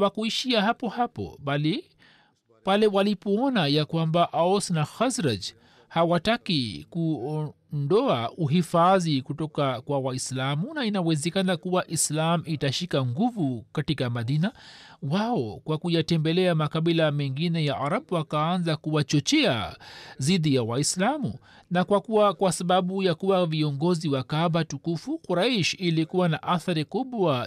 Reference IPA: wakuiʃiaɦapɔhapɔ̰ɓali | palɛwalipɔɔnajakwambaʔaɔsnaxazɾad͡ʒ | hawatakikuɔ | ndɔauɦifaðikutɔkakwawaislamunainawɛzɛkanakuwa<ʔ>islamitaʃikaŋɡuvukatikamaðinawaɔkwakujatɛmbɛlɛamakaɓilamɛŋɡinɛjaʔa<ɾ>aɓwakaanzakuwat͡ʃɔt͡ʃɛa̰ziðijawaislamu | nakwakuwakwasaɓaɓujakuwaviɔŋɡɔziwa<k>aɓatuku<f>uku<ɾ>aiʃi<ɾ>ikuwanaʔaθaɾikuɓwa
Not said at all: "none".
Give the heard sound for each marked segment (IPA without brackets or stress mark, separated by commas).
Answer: ʔ, ɾ, k, f, ɾ, l